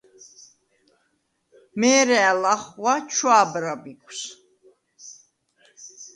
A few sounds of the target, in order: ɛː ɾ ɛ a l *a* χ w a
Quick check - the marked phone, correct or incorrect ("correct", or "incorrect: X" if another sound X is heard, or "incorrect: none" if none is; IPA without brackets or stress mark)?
correct